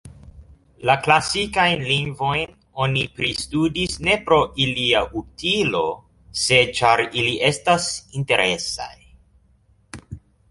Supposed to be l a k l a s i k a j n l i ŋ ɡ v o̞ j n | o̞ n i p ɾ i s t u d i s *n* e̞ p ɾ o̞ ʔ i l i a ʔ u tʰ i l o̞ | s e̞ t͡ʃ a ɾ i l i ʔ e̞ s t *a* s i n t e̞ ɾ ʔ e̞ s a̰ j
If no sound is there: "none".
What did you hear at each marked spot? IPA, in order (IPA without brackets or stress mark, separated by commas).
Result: n, a